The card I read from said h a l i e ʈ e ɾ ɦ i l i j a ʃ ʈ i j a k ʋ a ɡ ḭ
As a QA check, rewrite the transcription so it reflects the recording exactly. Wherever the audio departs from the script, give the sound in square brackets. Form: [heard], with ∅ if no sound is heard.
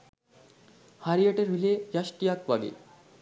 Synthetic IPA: h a [ɾ] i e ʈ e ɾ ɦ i l [e] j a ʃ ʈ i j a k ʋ a ɡ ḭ